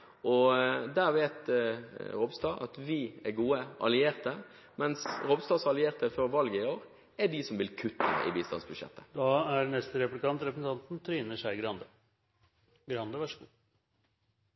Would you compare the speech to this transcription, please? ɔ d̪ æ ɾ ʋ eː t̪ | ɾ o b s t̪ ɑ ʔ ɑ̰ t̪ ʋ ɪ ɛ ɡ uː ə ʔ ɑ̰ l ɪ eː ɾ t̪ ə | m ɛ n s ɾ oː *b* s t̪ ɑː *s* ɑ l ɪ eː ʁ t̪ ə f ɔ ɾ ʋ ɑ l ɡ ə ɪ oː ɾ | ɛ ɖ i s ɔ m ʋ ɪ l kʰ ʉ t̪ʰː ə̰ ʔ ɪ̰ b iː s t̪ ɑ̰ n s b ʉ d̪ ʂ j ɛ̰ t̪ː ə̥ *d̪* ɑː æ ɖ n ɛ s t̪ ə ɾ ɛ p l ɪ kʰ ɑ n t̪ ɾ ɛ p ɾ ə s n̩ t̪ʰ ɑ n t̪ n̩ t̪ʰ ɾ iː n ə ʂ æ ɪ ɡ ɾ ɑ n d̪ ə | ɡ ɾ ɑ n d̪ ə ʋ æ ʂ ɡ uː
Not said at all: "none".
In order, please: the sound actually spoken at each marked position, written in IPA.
b, s, d̪

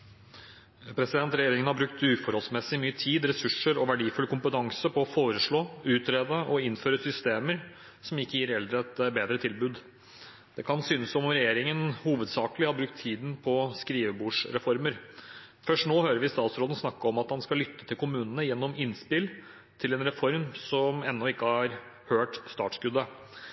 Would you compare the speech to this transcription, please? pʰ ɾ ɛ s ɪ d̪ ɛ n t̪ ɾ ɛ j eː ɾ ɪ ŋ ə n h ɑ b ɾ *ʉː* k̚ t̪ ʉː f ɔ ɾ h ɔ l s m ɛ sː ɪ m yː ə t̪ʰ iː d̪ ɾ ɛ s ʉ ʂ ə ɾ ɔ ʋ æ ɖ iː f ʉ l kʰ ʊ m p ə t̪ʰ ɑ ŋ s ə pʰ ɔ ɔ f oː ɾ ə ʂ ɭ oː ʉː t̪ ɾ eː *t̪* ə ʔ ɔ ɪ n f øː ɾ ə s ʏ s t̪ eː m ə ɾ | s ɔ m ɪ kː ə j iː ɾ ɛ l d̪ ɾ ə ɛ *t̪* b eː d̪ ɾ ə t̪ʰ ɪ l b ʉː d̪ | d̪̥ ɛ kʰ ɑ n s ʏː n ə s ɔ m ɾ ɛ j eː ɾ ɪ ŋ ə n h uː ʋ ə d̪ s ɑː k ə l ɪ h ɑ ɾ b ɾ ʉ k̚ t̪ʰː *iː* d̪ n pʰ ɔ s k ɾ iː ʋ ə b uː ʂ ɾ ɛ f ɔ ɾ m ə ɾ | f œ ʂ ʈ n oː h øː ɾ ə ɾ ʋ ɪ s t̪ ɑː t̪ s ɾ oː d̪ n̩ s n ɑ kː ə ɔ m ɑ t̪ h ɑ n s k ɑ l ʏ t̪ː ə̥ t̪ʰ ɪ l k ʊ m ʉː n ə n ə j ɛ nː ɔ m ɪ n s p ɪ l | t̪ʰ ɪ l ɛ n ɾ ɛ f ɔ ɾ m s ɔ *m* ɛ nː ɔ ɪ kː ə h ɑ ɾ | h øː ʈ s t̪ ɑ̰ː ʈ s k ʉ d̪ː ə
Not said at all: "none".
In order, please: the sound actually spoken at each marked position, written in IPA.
ʉ, d̪, t̪, iː, m

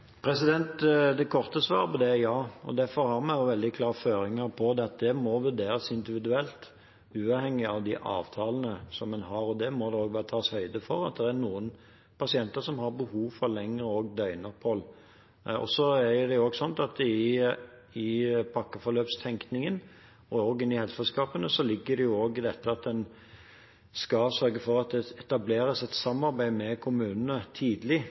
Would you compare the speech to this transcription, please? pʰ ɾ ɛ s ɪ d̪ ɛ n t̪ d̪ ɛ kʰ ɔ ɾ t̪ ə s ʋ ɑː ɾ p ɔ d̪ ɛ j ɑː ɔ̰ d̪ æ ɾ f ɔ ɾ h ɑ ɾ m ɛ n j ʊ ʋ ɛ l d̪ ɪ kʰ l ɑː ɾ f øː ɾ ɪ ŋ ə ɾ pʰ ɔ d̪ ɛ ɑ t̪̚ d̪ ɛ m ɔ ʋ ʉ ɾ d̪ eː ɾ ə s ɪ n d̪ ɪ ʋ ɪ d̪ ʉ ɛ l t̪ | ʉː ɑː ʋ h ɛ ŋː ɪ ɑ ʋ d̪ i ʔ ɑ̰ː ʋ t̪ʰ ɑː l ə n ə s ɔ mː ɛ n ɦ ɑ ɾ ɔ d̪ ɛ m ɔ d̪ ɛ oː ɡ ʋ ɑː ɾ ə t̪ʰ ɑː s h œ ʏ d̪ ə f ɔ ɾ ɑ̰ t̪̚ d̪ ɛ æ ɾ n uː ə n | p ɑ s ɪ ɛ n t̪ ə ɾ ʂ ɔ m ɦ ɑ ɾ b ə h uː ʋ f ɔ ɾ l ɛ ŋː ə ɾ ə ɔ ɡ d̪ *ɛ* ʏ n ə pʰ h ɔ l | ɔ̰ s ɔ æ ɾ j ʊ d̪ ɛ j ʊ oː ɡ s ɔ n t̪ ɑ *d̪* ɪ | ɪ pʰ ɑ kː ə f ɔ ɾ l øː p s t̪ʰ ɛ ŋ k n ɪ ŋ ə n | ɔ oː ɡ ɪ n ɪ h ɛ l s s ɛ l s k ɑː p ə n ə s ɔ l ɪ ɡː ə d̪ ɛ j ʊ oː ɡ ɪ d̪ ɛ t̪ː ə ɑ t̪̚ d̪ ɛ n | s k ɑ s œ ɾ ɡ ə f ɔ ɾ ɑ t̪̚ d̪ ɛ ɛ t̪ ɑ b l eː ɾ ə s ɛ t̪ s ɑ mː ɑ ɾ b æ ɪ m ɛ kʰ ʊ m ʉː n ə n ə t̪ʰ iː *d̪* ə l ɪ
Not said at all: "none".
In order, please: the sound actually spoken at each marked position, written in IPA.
œ, t̪, d̪

